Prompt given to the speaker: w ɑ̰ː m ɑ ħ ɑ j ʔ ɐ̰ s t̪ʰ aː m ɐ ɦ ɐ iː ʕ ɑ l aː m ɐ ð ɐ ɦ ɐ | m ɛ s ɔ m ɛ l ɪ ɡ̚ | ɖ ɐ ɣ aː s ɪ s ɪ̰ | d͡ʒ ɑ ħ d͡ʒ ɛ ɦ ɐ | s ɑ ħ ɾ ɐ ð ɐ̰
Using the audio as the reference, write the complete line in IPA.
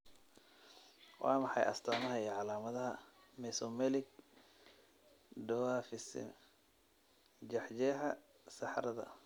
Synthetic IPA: w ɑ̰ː m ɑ ħ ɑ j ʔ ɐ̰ s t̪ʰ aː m ɐ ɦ ɐ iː ʕ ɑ l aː m ɐ ð ɐ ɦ ɐ | m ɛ s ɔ m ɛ l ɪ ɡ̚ | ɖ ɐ w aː f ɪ s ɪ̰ | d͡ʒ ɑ ħ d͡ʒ ɛ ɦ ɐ | s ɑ ħ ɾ ɐ ð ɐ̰

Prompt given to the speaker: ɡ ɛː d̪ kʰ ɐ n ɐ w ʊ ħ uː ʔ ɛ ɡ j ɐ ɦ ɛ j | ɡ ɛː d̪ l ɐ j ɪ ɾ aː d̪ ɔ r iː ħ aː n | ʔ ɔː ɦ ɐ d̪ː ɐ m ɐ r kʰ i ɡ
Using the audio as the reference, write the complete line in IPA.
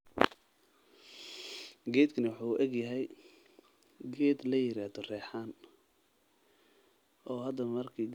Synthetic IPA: ɡ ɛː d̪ kʰ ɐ n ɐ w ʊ ħ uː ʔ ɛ ɡ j ɐ ɦ ɛ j | ɡ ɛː d̪ l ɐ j ɪ ɾ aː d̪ ɔ r ɛː ħ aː n | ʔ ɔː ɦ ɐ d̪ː ɐ m ɐ r kʰ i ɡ

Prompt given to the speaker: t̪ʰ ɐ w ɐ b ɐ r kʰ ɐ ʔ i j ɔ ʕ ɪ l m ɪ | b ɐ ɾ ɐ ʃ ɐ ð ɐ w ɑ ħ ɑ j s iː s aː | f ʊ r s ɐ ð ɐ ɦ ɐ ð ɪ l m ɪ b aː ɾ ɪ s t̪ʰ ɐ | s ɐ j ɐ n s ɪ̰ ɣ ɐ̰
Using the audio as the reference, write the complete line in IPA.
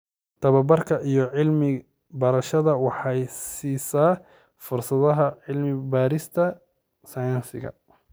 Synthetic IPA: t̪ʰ ɐ β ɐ b ɐ r kʰ ɐ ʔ i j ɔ ʕ ɪ l m ɪ | b ɐ ɾ ɐ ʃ ɐ ð ɐ w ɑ ħ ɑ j s iː s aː | f ʊ r s ɐ ð ɐ ɦ ɐ ʕ ɪ l m ɪ b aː ɾ ɪ s t̪ʰ ɐ | s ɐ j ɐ n s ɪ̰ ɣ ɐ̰

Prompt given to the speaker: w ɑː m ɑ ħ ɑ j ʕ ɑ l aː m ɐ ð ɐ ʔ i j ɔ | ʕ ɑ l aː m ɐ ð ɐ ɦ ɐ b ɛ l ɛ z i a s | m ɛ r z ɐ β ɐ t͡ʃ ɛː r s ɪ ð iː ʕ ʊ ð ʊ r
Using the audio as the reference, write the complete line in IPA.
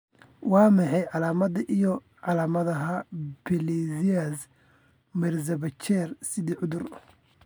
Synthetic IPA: w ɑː m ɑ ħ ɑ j ʕ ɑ l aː m ɐ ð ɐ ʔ i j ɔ | ʕ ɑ l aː m ɐ ð ɐ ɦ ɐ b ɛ l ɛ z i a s | m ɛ r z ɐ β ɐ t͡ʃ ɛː r s ɪ ð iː ʕ ʊ ð ʊ r

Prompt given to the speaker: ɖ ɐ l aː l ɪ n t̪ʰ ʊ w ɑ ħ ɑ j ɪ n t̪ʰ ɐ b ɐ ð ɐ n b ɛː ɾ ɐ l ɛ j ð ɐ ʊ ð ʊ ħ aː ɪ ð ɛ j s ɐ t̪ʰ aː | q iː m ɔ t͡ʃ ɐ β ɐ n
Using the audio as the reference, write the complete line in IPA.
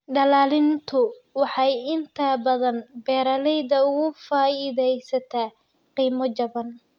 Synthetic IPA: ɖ ɐ l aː l ɪ n t̪ʰ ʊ w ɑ ħ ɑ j ɪ n t̪ʰ ɐ b ɐ ð ɐ n b ɛː ɾ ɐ l ɛ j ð ɐ ʊ ɣ ʊ f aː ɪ ð ɛ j s ɐ t̪ʰ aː | q iː m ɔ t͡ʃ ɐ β ɐ n

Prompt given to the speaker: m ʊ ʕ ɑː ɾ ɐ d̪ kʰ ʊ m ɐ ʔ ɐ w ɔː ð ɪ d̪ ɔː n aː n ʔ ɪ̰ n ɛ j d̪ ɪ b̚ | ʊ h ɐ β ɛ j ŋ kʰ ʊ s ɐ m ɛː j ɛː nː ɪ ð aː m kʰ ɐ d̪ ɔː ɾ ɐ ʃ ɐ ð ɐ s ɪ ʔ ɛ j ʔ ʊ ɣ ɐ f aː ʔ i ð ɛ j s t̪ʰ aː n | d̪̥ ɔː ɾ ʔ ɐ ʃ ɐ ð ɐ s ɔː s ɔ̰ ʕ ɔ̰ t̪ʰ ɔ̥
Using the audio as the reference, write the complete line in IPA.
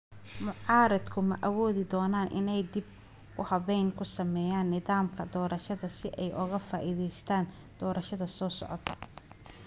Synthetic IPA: m ʊ ʕ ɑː ɾ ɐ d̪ kʰ ʊ m ɐ ʔ ɐ w ɔː ð ɪ d̪ ɔː n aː n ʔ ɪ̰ n ɛ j d̪ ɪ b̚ | ʊ h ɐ β ɛ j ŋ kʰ ʊ s ɐ m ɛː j aː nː ɪ ð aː m kʰ ɐ d̪ ɔː ɾ ɐ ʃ ɐ ð ɐ s ɪ ʔ ɛ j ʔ ʊ ɣ ɐ f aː ʔ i ð ɛ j s t̪ʰ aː n | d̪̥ ɔː ɾ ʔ ɐ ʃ ɐ ð ɐ s ɔː s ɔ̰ ʕ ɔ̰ t̪ʰ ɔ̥

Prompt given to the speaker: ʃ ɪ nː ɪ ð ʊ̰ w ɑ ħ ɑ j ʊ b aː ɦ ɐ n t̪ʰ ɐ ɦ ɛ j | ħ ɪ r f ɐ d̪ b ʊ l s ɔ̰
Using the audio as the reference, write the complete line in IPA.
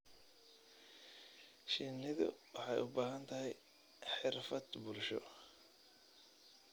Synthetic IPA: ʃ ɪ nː ɪ ð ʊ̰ w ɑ ħ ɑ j ʊ b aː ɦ ɐ n t̪ʰ ɐ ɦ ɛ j | ħ ɪ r f ɐ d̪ b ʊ l ʃ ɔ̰

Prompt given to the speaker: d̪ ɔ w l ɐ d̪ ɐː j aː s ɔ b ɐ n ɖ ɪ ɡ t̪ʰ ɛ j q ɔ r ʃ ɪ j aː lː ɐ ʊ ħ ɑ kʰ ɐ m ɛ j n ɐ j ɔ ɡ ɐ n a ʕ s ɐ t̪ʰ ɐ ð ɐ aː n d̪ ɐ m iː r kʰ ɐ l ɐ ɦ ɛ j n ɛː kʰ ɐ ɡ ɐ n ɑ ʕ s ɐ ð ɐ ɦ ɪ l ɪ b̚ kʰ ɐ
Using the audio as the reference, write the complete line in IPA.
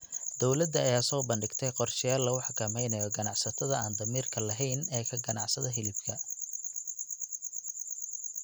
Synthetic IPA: d̪ ɔ w l ɐ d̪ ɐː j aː s ɔː b ɐ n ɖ ɪ ɡ t̪ʰ ɛ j q ɔ r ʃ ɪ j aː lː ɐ ʊ ħ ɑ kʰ ɐ m ɛ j n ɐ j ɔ ɡ ɐ n ɑ ʕ s ɐ t̪ʰ ɐ ð ɐ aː n d̪ ɐ m iː r kʰ ɐ l ɐ ɦ ɛ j n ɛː kʰ ɐ ɡ ɐ n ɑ ʕ s ɐ ð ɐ ɦ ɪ l ɪ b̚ kʰ ɐ

